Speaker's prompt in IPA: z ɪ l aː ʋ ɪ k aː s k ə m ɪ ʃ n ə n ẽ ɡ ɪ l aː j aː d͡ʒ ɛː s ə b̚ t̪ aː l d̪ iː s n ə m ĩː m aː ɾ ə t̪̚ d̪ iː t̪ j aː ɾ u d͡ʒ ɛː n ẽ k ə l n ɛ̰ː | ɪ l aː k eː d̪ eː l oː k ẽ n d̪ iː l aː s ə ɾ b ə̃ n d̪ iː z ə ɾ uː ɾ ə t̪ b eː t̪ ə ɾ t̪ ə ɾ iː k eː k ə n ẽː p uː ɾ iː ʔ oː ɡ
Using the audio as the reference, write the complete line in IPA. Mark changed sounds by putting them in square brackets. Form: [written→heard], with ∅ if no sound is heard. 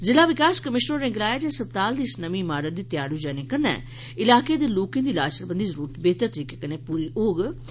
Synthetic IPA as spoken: z ɪ l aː ʋ ɪ k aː s k ə m ɪ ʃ n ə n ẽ ɡ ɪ l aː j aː d͡ʒ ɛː s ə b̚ t̪ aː l d̪ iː s n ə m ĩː m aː ɾ ə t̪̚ d̪ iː t̪ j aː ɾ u d͡ʒ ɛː n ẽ k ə [l→∅] n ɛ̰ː | ɪ l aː k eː d̪ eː l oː k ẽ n d̪ iː l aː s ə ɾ b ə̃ n d̪ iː z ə ɾ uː ɾ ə t̪ b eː t̪ ə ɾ t̪ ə ɾ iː k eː k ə n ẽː p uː ɾ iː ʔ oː ɡ